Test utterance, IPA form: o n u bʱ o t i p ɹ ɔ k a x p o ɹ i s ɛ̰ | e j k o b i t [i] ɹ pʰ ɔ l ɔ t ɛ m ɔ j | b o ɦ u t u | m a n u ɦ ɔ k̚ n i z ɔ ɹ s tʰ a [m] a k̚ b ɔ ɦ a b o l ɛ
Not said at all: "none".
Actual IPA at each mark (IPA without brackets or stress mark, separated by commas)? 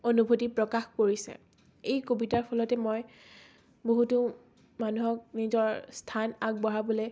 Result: a, n